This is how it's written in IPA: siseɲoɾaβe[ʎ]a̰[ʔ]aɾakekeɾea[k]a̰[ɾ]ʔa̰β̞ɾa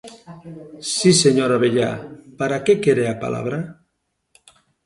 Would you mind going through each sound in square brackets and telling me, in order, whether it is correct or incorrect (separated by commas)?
correct, incorrect, incorrect, incorrect